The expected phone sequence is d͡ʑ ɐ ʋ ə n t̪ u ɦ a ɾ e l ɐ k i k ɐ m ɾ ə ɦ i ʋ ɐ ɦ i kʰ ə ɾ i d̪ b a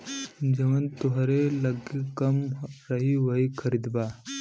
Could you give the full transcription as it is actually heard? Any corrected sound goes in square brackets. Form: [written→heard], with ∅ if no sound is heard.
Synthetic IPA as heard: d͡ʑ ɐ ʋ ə n t̪ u ɦ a ɾ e l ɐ [k→ɡ] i k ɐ m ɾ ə ɦ i ʋ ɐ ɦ i kʰ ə ɾ i d̪ b a